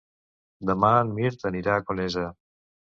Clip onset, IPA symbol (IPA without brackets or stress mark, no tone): d̪